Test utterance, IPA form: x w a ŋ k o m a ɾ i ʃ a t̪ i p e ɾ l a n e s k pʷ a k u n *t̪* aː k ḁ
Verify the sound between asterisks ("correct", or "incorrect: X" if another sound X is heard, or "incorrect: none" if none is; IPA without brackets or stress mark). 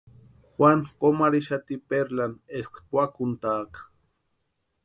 correct